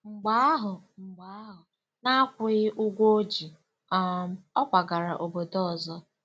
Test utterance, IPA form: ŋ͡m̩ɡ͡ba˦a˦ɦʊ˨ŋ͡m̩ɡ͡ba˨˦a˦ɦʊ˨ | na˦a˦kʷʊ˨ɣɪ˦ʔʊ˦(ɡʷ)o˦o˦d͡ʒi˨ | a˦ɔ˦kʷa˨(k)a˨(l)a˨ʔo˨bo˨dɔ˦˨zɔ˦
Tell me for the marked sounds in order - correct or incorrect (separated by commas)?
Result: correct, incorrect, incorrect